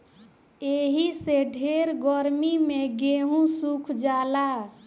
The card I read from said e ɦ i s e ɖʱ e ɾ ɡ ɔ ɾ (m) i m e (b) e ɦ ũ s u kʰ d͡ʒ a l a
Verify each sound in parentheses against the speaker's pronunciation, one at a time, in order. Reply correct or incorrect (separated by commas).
correct, incorrect